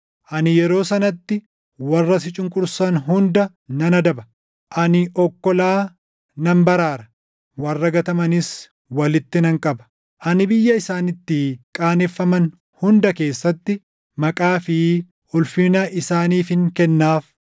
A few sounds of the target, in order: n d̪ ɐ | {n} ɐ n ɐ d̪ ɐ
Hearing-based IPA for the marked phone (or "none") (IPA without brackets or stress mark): n